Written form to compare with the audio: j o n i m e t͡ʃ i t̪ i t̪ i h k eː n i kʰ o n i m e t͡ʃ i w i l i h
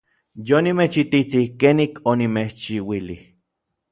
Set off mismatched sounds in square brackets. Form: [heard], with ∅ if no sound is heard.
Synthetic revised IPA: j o n i m e t͡ʃ i t̪ i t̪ i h k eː n i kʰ o n i m e t͡ʃ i w i l i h